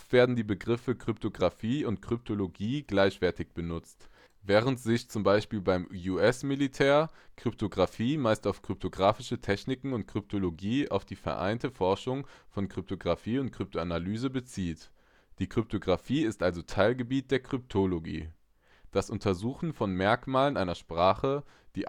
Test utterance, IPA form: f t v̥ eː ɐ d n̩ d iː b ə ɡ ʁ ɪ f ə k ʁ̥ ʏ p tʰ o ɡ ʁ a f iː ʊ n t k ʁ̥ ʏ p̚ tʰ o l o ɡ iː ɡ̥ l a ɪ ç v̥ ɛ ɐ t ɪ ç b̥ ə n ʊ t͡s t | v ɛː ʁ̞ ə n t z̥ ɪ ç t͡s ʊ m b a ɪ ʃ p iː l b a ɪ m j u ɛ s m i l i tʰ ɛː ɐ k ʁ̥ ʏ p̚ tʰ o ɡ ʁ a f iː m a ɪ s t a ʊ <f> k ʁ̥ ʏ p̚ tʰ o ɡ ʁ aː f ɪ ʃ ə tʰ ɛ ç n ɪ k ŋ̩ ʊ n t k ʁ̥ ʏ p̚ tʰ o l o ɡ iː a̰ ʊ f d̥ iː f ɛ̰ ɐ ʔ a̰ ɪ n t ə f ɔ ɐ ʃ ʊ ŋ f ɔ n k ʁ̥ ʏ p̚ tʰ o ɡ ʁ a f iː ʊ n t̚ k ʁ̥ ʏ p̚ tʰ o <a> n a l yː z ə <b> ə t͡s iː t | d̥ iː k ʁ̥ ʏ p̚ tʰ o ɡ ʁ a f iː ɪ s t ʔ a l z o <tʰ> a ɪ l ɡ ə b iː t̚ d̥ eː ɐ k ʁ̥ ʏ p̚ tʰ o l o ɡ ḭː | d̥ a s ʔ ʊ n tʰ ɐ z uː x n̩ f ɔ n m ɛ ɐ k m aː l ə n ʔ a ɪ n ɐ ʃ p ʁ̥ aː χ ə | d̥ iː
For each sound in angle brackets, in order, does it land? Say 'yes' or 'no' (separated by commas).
yes, yes, yes, yes